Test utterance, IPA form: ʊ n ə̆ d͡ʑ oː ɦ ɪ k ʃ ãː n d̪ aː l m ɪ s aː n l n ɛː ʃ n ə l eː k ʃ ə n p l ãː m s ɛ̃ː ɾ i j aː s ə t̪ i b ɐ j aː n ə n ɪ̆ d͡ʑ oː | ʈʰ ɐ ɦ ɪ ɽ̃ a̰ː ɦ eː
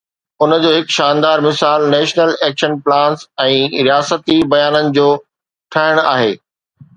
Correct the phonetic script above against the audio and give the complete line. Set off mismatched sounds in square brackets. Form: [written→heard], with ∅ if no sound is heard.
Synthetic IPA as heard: ʊ n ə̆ d͡ʑ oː ɦ ɪ k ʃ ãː n d̪ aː [l→ɾ] m ɪ s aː [n→∅] l n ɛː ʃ n ə l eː k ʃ ə n p l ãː [m→n] s ɛ̃ː ɾ i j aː s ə t̪ i b ɐ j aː n ə n ɪ̆ d͡ʑ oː | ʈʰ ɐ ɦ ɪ ɽ̃ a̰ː ɦ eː